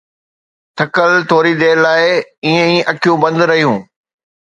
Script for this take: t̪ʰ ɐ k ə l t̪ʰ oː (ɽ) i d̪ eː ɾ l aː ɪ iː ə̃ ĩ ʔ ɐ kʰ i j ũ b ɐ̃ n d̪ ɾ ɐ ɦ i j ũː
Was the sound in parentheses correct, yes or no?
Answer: no